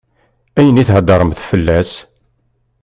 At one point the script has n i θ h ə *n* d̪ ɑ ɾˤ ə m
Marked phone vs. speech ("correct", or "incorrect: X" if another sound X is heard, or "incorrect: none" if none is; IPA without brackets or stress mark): incorrect: none